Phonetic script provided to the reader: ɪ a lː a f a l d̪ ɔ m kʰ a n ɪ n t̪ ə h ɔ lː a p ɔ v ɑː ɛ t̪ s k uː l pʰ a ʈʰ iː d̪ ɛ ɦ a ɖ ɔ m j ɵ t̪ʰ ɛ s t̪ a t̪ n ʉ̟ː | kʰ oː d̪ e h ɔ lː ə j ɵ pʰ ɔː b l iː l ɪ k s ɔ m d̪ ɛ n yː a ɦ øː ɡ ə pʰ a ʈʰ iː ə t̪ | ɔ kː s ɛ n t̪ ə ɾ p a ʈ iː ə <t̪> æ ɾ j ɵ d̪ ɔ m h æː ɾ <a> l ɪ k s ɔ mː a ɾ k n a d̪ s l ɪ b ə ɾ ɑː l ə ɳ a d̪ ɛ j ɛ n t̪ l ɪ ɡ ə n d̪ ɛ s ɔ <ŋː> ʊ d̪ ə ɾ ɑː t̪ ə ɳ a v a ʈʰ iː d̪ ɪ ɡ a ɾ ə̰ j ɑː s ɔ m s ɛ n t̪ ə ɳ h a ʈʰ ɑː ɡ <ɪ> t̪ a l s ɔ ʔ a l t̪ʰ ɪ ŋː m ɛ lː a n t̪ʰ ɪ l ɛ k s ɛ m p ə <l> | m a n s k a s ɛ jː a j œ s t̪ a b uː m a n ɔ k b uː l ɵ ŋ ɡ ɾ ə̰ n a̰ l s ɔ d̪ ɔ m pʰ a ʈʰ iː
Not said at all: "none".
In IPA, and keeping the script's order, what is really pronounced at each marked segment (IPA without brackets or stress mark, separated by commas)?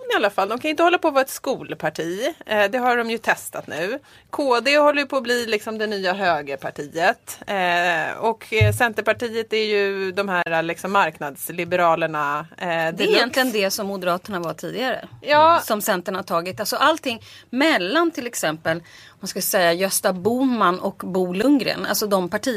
t̪, a, mː, ɪ, l